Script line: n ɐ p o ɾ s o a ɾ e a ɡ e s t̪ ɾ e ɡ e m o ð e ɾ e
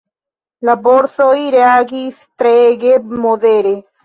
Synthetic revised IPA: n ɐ b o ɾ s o i ɾ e a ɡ i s t̪ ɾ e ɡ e m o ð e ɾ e